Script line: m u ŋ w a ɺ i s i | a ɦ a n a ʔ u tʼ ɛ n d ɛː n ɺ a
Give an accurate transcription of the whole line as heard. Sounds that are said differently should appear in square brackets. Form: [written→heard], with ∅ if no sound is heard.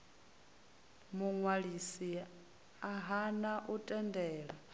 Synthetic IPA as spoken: m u ŋ w a ɺ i s i | a ɦ a n a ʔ u tʼ ɛ n d ɛː [n→∅] ɺ a